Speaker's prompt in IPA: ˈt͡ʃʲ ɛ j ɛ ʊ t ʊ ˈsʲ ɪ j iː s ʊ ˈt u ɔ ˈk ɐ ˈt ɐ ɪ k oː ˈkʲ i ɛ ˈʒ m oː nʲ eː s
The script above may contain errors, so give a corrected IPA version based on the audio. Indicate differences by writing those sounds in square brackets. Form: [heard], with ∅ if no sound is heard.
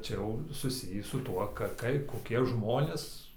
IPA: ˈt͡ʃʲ ɛ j ɛ ʊ [s] ʊ ˈsʲ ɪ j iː s ʊ ˈt u ɔ ˈk ɐ [ˈk] ɐ ɪ k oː ˈkʲ i ɛ ˈʒ m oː nʲ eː s